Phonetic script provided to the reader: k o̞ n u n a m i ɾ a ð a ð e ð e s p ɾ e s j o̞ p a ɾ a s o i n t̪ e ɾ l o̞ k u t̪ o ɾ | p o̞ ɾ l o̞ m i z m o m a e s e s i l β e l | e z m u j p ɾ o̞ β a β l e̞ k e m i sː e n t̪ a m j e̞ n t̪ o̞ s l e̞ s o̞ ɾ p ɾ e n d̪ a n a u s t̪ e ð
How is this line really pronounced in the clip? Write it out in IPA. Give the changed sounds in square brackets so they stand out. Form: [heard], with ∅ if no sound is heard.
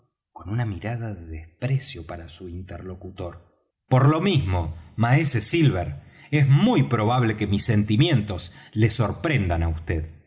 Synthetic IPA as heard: k o̞ n u n a m i ɾ a ð a ð e ð e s p ɾ e s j o̞ p a ɾ a s [u] i n t̪ e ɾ l o̞ k u t̪ o ɾ | p o̞ ɾ l o̞ m i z m o m a e s e s i l β e [ɾ] | e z m u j p ɾ o̞ β a β l e̞ k e m i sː e n t̪ [i] m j e̞ n t̪ o̞ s l e̞ s o̞ ɾ p ɾ e n d̪ a n a u s t̪ e ð